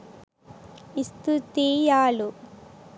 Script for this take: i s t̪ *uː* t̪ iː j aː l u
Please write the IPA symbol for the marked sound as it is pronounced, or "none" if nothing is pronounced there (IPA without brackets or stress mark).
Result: u